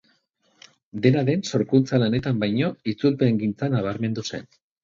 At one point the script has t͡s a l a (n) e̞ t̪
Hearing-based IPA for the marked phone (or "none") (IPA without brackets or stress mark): n